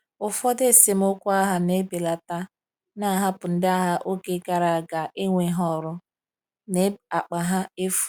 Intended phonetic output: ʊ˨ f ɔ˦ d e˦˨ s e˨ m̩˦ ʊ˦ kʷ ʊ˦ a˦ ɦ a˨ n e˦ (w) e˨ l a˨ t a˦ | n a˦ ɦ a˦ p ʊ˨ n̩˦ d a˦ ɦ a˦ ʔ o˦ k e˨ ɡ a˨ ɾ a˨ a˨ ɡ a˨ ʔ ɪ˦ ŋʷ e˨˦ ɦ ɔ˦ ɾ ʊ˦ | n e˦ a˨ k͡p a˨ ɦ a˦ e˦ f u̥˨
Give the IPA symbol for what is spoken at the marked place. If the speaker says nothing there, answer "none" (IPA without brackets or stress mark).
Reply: b